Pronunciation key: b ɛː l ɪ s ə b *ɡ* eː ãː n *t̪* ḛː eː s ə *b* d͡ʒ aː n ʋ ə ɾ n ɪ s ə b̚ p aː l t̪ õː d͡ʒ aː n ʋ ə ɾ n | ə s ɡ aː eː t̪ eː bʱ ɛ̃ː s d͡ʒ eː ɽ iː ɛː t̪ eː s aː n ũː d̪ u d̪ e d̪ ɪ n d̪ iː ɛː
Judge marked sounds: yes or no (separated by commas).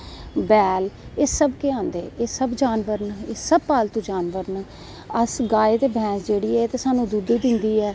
no, no, yes